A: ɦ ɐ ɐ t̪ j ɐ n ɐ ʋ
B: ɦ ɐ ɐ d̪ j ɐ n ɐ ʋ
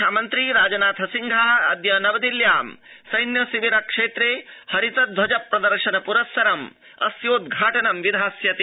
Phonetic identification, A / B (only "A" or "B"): B